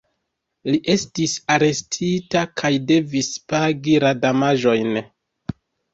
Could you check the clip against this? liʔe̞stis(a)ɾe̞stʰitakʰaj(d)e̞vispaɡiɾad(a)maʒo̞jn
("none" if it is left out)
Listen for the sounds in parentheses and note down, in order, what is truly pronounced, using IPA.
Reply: a, d, a

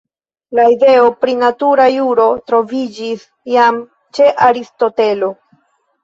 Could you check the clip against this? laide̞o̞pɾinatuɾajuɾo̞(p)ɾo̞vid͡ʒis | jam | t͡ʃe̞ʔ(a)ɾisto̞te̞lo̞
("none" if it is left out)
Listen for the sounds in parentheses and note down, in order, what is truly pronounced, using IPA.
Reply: t, a

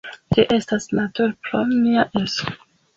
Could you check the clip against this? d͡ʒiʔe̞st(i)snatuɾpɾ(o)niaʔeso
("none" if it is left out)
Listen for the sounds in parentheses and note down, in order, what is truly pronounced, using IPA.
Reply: a, o

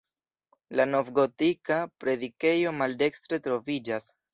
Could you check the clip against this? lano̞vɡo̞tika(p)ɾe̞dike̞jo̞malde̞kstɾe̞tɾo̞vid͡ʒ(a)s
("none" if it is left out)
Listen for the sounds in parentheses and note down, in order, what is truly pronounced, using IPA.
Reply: p, a

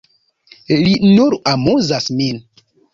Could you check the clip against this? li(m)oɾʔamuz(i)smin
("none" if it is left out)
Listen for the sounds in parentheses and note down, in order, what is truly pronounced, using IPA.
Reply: n, a

